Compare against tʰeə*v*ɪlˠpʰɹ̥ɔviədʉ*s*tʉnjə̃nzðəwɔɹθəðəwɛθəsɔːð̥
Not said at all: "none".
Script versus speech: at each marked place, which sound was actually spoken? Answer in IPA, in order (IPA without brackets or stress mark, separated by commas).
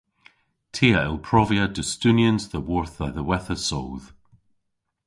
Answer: none, s